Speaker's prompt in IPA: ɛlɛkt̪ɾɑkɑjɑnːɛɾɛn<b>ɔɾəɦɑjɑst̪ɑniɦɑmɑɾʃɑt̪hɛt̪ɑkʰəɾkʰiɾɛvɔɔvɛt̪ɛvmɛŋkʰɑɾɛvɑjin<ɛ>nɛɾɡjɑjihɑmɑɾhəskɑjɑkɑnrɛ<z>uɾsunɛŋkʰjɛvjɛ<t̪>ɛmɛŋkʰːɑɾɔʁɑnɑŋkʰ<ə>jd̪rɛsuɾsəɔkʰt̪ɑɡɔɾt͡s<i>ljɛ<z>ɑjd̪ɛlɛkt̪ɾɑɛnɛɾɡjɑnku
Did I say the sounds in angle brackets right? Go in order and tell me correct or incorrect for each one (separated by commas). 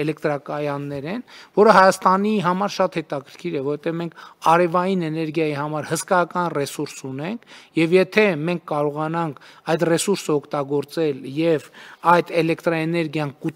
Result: incorrect, correct, incorrect, incorrect, incorrect, incorrect, incorrect